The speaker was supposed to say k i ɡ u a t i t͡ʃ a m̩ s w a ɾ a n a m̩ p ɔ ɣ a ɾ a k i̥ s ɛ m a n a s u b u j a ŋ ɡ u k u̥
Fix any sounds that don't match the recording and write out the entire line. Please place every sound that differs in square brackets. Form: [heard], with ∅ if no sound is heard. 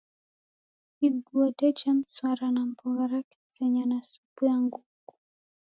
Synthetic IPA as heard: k i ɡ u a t [ɛ] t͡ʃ a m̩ s w a ɾ a n a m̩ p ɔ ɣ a ɾ a k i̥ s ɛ [ɲ] a n a s u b u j a ŋ ɡ u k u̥